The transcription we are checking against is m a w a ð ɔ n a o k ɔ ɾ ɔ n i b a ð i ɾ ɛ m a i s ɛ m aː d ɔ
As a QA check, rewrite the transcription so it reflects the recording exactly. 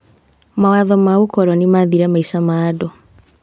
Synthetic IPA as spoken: m a w a ð ɔ m a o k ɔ ɾ ɔ n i m a ð i ɾ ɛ m a i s a m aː d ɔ